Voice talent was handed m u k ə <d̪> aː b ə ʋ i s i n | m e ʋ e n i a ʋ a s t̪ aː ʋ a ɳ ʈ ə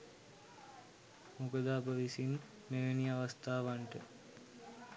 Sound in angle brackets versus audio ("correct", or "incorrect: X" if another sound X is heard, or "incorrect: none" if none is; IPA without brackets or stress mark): correct